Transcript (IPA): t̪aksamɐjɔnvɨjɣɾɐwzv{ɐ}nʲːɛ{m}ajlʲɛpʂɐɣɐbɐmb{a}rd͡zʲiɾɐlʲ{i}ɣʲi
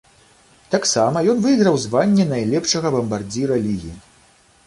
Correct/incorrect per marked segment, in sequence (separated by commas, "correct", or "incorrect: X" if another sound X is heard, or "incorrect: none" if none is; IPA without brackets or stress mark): incorrect: a, incorrect: n, correct, correct